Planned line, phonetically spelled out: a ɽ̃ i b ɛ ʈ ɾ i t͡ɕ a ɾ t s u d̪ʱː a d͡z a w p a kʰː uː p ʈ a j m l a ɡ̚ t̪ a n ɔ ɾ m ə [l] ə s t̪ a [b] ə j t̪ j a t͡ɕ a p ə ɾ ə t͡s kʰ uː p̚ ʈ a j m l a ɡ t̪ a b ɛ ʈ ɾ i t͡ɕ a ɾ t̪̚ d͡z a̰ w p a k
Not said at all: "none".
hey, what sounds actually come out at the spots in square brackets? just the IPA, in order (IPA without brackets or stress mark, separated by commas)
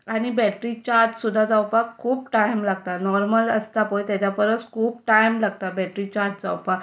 l, p